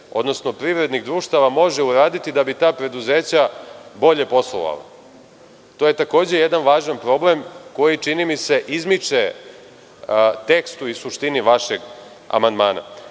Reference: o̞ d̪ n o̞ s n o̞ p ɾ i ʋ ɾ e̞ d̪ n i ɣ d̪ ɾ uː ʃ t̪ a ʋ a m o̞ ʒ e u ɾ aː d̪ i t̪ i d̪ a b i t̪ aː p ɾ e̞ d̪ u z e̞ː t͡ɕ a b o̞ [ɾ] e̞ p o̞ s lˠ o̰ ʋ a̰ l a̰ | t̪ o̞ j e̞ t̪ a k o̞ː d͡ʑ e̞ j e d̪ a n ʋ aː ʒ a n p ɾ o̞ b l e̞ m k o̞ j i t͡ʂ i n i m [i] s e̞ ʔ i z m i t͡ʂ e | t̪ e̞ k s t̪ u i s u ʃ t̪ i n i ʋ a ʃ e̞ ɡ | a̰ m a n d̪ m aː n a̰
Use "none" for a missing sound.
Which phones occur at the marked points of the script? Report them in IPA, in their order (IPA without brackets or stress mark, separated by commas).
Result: ʎ, i